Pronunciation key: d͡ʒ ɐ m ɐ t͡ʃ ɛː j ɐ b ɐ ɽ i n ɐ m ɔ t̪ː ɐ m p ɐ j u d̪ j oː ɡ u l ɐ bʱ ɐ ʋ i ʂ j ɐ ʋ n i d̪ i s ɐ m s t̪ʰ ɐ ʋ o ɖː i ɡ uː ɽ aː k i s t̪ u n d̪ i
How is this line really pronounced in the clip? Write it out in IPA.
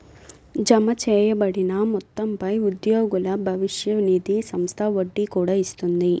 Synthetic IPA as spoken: d͡ʒ ɐ m ɐ t͡ʃ ɛː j ɐ b ɐ ɽ i n ɐ m ɔ t̪ː ɐ m p ɐ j u d̪ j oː ɡ u l ɐ bʱ ɐ ʋ i ʂ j ɐ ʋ n i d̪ i s ɐ m s t̪ʰ ɐ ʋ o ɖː i k uː ɽ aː i s t̪ u n d̪ i

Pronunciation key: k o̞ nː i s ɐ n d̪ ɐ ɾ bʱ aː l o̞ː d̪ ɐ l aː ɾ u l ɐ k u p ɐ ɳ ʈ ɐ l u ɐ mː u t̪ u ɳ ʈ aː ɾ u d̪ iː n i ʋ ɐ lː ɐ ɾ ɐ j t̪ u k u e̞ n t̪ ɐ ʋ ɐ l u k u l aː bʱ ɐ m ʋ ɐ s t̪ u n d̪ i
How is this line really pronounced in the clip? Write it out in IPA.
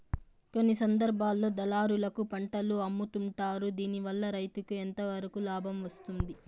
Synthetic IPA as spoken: k o̞ nː i s ɐ n d̪ ɐ ɾ bʱ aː lː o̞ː d̪ ɐ l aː ɾ u l ɐ k u p ɐ ɳ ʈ ɐ l u ɐ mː u t̪ u ɳ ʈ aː ɾ u d̪ iː n i ʋ ɐ lː ɐ ɾ ɐ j t̪ u k u e̞ n t̪ ɐ ʋ ɐ ɾ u k u l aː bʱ ɐ m ʋ ɐ s t̪ u n d̪ i

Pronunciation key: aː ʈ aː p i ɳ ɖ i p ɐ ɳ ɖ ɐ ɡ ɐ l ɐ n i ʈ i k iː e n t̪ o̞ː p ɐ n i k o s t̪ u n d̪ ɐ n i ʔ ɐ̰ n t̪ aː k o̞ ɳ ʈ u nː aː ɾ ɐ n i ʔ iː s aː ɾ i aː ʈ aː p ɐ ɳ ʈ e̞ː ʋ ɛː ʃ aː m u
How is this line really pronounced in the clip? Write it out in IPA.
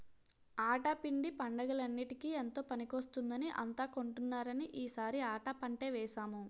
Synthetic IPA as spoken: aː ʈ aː p i ɳ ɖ i p ɐ ɳ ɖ ɐ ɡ ɐ l ɐ nː i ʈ i k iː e n t̪ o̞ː p ɐ n i k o s t̪ u n d̪ ɐ n i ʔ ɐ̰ n t̪ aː k o̞ ɳ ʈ u nː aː ɾ ɐ n i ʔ iː s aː ɾ i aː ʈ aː p ɐ ɳ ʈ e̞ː ʋ ɛː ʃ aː m u

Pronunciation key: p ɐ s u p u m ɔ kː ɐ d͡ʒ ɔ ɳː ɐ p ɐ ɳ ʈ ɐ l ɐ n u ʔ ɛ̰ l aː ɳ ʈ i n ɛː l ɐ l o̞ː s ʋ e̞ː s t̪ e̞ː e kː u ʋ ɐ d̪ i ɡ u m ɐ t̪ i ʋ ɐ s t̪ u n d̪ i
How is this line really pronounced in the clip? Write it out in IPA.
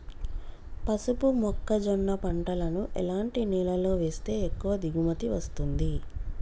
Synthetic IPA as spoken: p ɐ s u p u m ɔ kː ɐ d͡ʒ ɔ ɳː ɐ p ɐ ɳ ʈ ɐ l ɐ n u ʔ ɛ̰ l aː ɳ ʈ i n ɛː l ɐ l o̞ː ʋ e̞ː s t̪ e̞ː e kː u ʋ ɐ d̪ i ɡ u m ɐ t̪ i ʋ ɐ s t̪ u n d̪ i

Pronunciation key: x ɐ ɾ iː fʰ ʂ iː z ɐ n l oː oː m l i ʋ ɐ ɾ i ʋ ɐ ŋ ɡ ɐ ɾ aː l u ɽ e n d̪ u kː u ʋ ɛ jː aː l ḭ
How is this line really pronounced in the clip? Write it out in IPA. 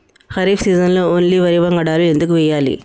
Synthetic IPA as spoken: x ɐ ɾ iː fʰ s iː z ɐ n l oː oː n l i ʋ ɐ ɾ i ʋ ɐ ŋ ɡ ɐ ɽ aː l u e n d̪ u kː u ʋ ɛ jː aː l ḭ

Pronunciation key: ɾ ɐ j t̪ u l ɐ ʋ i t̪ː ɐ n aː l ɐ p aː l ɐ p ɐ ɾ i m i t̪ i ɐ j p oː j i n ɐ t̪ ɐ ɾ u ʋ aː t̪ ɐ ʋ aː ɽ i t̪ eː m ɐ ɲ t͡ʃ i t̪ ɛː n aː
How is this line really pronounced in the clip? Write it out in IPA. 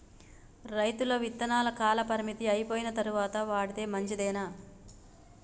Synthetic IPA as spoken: ɾ ɐ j t̪ u l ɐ ʋ i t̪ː ɐ n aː l ɐ k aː l ɐ p ɐ ɾ i m i t̪ i ɐ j p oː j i n ɐ t̪ ɐ ɾ u ʋ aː t̪ ɐ ʋ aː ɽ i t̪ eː m ɐ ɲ t͡ʃ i d̪ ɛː n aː

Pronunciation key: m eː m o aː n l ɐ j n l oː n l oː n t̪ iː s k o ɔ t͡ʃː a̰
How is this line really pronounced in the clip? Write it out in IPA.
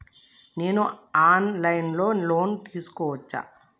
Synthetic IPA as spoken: n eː n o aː n l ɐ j n l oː n l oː n t̪ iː s k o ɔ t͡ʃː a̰

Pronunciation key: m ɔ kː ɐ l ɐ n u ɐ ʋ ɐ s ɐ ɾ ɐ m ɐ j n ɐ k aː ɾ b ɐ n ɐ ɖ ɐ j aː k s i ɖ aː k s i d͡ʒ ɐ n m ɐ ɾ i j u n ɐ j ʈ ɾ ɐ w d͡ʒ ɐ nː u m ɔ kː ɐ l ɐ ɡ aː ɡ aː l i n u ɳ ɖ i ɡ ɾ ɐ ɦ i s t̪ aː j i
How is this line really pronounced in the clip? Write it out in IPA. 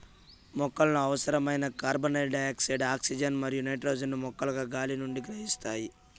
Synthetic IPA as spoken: m ɔ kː ɐ l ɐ n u ɐ ʋ ɐ s ɐ ɾ ɐ m ɐ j n ɐ k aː ɾ b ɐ n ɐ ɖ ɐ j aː k s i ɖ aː k s i d͡ʒ ɐ n m ɐ ɾ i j u n ɐ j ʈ ɾ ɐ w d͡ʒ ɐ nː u m ɔ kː ɐ l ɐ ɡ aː ɡ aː l i n u ɳ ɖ i ɡ ɾ ɐ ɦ i s t̪ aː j i

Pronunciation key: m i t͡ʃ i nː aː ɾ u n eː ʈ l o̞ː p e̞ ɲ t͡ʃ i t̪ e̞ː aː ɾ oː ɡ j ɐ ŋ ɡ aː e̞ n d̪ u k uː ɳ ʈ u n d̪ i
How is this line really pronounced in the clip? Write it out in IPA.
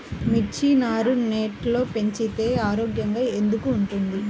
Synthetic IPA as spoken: m i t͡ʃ i n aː ɾ u n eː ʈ l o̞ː p e̞ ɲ t͡ʃ i t̪ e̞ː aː ɾ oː ɡ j ɐ ŋ ɡ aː e̞ n d̪ u k uː ɳ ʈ u n d̪ i

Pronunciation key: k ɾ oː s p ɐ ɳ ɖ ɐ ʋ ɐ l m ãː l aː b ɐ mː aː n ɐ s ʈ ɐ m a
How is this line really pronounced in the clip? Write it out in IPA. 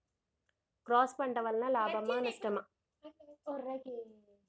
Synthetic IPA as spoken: k ɾ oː s p ɐ ɳ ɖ ɐ ʋ ɐ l n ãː l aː b ɐ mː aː n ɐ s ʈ ɐ m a

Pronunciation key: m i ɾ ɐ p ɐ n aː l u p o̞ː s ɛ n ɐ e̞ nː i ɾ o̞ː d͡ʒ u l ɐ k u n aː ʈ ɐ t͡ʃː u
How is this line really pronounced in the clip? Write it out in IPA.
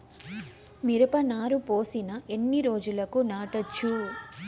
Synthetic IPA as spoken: m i ɾ ɐ p ɐ n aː ɾ u p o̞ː s i n ɐ e̞ nː i ɾ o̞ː d͡ʒ u l ɐ k u n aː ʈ ɐ t͡ʃː u

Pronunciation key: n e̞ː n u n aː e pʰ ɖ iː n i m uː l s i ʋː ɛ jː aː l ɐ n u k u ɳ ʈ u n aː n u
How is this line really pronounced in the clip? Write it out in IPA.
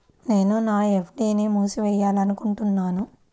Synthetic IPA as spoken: n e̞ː n u n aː e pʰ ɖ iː n i m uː s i ʋ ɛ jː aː l ɐ n u k u ɳ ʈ u nː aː n u

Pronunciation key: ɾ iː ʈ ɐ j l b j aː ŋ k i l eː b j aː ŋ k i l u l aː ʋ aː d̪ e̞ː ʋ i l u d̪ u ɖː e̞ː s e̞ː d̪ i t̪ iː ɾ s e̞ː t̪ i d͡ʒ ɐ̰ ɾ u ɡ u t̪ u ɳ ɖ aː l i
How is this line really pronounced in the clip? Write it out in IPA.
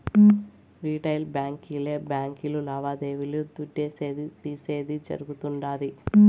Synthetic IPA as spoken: ɾ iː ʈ ɐ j l b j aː ŋ k i l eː b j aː ŋ k i l u l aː ʋ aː d̪ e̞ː ʋ i l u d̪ u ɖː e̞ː s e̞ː d̪ i t̪ iː s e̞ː d̪ i d͡ʒ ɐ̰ ɾ u ɡ u t̪ u ɳ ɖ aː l i

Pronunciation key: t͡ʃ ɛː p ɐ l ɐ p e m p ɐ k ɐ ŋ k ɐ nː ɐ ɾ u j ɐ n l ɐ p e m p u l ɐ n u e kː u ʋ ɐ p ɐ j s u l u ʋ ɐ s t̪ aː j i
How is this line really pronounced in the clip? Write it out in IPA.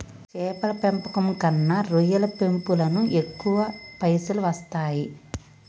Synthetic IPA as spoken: t͡ʃ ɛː p ɐ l ɐ p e m p ɐ k ɐ m k ɐ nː ɐ ɾ u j ɐ l ɐ p e m p u l ɐ n u e kː u ʋ ɐ p ɐ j s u l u ʋ ɐ s t̪ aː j i

